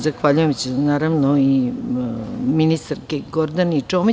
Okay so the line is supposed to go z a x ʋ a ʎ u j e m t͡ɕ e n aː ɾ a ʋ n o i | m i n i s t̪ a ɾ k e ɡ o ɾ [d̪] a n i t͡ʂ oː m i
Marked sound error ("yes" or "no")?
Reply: no